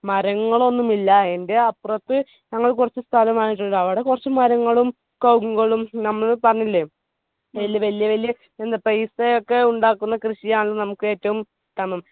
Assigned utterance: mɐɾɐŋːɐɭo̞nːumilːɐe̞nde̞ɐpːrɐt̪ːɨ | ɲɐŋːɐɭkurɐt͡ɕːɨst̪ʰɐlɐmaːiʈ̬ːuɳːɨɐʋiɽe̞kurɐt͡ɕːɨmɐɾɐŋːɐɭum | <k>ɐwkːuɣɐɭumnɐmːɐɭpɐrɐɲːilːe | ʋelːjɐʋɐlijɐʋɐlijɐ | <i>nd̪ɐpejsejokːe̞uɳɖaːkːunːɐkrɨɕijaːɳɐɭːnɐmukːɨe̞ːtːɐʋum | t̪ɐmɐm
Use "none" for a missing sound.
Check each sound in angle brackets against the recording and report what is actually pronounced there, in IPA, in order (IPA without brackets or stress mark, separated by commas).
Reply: k, e